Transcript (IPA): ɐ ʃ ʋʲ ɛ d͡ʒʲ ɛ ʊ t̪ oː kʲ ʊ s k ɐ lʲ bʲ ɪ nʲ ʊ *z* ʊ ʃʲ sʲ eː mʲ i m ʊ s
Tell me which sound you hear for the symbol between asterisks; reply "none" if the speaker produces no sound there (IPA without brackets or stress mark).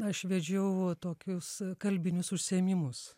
s